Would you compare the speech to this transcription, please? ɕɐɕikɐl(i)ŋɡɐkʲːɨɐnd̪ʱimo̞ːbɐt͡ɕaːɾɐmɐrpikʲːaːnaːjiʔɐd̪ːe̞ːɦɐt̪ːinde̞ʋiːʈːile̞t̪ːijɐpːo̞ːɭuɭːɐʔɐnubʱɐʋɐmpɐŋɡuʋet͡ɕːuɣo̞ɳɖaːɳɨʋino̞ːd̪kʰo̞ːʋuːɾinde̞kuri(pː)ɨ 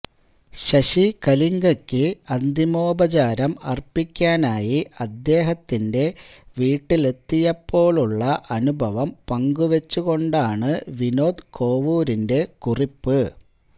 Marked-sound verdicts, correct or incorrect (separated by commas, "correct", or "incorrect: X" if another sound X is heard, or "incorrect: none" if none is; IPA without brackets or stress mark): correct, correct